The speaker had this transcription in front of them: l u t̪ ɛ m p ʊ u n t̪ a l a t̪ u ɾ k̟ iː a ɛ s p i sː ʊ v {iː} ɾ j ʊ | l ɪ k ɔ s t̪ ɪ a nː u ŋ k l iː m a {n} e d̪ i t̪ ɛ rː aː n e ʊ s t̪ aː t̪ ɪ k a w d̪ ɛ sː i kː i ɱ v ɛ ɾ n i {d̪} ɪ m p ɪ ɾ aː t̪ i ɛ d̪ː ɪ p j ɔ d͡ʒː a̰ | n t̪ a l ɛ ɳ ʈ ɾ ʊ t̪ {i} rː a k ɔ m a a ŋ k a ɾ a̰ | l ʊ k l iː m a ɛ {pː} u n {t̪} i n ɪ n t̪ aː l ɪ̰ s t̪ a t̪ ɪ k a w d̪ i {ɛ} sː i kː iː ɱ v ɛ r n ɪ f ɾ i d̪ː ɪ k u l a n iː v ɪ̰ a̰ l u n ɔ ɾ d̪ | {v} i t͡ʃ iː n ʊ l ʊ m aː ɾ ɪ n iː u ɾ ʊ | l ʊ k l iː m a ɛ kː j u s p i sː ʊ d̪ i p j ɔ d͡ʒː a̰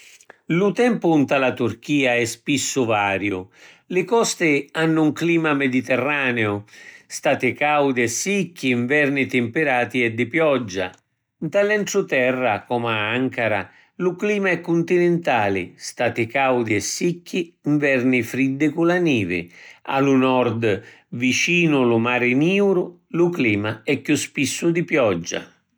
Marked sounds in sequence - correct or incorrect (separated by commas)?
incorrect, incorrect, incorrect, incorrect, incorrect, correct, correct, correct